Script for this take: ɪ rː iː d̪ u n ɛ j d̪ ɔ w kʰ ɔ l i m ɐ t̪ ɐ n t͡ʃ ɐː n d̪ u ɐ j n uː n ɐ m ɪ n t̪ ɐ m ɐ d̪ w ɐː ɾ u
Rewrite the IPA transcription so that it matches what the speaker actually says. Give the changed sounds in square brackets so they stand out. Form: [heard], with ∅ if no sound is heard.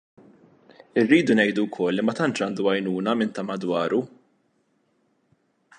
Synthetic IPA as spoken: ɪ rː iː d̪ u n ɛ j d̪ [u] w kʰ ɔ [lː] i m ɐ t̪ ɐ n t͡ʃ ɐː n d̪ u ɐ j n uː n ɐ m ɪ n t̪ ɐ m ɐ d̪ w ɐː ɾ u